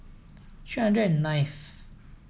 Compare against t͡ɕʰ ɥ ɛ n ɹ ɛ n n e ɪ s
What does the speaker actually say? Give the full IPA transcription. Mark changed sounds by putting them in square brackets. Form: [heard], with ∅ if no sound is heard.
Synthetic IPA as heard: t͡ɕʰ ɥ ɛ n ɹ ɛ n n [a] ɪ [f]